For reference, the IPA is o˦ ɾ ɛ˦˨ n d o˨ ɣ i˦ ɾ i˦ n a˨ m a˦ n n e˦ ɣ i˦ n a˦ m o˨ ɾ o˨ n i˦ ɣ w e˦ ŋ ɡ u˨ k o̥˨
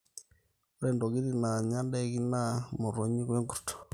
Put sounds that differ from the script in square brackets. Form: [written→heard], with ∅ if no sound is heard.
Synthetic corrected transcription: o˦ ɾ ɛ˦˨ n d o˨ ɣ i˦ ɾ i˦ n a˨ [m→ɲ] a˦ n [n→d] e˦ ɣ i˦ n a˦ m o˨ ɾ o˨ [n→ɲ] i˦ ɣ w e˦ ŋ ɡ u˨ [k→t] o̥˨